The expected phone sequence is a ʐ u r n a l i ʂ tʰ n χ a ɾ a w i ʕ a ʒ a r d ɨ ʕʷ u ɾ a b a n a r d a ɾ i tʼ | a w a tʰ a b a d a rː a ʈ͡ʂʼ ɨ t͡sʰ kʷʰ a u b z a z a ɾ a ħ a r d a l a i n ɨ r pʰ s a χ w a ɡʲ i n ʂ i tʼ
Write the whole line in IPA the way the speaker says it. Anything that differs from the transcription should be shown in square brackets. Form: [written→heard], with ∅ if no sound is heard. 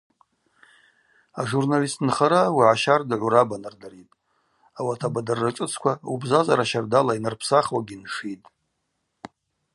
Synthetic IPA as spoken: a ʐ u r n a l i [ʂ→s] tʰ n χ a ɾ a w i ʕ a [ʒ→ʃ] a r d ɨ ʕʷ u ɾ a b a n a r d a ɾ i tʼ | a w a tʰ a b a d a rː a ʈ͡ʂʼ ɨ t͡sʰ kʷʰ a u b z a z a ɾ a [ħ→ʃ] a r d a l a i n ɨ r pʰ s a χ w a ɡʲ i n ʂ i tʼ